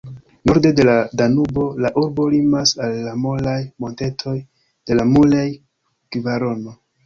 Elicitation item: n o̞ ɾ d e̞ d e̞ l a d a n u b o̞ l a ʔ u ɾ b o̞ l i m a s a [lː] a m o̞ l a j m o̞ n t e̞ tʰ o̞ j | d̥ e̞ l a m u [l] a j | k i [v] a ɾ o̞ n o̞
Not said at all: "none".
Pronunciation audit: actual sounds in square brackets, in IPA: lː, l, v

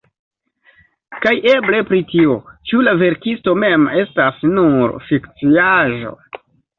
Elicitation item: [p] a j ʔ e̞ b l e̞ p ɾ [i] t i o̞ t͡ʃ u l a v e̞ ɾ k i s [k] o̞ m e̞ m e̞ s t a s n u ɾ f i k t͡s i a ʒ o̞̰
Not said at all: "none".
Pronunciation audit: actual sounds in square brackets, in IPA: k, i, t

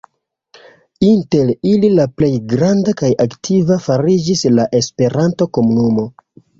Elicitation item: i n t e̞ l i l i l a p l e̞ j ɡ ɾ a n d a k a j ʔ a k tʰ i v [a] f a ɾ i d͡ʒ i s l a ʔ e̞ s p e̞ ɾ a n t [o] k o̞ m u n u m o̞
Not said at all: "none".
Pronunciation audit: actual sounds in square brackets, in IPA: a, o

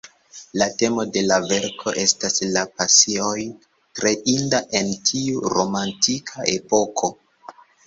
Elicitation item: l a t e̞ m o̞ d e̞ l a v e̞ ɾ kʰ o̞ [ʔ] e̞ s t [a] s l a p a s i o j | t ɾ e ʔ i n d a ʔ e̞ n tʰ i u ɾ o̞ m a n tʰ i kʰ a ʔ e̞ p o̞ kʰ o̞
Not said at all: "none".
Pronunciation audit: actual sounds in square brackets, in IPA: ʔ, a

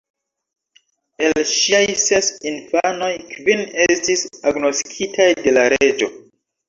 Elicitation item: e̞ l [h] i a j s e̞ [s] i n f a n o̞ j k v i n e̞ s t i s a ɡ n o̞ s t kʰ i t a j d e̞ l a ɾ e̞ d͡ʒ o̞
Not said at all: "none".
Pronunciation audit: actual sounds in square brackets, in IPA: ʃ, s

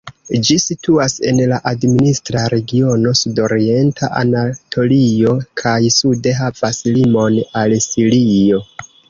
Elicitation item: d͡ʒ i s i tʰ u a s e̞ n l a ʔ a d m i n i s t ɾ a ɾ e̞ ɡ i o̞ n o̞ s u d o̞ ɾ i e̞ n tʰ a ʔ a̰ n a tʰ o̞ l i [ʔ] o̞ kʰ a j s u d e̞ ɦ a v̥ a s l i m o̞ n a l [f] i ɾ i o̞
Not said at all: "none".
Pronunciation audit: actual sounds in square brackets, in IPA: none, s

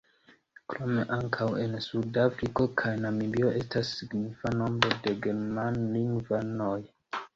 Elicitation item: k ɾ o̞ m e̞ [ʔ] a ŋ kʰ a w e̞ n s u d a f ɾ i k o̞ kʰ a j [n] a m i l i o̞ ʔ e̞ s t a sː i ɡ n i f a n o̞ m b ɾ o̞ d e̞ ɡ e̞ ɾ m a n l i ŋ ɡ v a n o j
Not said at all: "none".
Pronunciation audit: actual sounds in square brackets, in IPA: ʔ, n

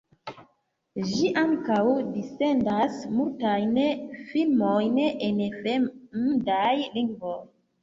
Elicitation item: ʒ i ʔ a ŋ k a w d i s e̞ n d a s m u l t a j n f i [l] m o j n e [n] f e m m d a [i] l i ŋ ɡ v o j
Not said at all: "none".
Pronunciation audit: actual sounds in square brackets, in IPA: l, n, j

